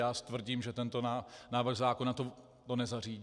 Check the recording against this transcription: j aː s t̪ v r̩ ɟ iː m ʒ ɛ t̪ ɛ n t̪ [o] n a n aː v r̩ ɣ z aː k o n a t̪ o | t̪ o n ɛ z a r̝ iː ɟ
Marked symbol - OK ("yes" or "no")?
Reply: yes